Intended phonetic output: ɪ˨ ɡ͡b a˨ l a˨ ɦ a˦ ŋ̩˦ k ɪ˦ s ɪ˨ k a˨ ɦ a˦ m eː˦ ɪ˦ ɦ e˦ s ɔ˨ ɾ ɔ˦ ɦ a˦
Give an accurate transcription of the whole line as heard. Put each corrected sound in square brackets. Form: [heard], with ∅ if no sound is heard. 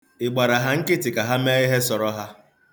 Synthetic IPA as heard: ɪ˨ ɡ͡b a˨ [ɾ] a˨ ɦ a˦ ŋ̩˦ k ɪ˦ [t] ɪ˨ k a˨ ɦ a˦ m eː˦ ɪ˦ ɦ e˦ s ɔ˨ ɾ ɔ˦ ɦ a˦